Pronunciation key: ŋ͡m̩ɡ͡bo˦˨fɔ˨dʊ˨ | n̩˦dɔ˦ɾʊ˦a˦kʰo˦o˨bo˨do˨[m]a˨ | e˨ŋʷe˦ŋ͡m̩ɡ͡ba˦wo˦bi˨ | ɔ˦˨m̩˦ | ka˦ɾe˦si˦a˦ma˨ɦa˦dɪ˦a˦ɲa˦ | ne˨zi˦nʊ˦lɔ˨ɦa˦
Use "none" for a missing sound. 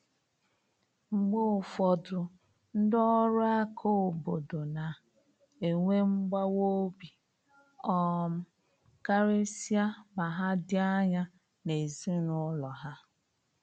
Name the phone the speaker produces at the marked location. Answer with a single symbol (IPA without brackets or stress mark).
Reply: n